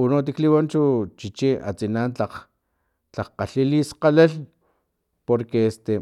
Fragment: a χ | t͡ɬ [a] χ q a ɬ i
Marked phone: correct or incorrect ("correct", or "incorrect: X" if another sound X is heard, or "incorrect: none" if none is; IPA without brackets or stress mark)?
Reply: correct